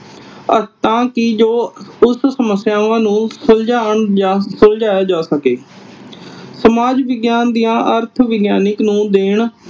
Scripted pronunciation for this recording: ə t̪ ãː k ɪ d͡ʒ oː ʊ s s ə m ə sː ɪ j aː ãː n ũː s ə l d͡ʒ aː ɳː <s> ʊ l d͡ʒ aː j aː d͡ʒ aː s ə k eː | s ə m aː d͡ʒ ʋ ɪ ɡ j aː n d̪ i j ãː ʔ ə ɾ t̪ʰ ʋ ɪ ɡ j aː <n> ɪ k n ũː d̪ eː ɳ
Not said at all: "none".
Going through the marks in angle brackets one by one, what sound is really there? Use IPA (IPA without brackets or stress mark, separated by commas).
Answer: s, n